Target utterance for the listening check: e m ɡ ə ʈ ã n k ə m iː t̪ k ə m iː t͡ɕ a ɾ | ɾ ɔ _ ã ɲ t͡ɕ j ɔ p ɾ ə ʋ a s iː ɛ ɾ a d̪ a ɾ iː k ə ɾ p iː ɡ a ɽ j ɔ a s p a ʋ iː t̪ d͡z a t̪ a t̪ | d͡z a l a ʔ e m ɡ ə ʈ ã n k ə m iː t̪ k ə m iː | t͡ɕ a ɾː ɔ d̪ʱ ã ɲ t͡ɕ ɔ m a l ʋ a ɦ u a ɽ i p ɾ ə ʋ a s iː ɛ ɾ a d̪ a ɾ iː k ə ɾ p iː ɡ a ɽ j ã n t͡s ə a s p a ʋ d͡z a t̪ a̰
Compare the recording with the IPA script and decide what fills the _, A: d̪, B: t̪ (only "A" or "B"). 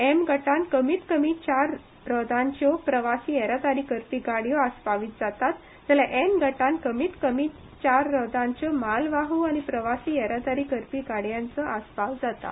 A